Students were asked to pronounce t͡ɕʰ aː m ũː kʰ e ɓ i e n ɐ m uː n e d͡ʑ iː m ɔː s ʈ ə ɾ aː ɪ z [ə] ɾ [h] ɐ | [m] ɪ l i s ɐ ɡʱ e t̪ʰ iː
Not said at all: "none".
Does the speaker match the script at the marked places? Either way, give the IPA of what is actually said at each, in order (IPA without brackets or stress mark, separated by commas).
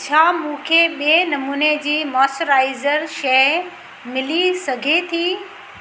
ə, ʃ, m